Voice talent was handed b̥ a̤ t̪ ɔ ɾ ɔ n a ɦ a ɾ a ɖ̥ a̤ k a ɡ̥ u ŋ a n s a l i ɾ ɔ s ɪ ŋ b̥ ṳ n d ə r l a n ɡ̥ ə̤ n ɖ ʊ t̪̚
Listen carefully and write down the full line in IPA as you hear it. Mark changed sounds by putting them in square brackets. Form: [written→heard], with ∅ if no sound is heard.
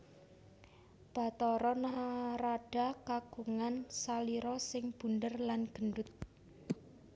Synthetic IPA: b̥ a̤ t̪ ɔ ɾ ɔ n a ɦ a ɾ a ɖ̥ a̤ k a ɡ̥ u ŋ a n s a l i ɾ ɔ s ɪ ŋ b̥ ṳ n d ə r l a n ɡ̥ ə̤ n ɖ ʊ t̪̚